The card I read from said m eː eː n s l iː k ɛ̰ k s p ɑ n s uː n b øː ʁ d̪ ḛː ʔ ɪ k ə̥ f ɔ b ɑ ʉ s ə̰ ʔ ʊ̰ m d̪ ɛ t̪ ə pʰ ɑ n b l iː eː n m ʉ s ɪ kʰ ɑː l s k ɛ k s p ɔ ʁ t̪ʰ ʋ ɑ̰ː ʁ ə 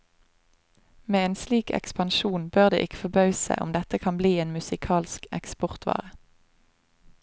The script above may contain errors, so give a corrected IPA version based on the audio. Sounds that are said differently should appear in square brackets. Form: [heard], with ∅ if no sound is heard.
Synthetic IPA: m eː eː n s l iː k ɛ̰ k s p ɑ n [ʃ] uː n b øː ʁ d̪ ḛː ʔ ɪ k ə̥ f ɔ b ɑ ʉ s ə̰ ʔ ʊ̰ m d̪ ɛ t̪ ə [kʰ] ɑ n b l iː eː n m ʉ s ɪ kʰ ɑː l s k ɛ k s p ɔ ʁ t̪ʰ ʋ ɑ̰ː ʁ ə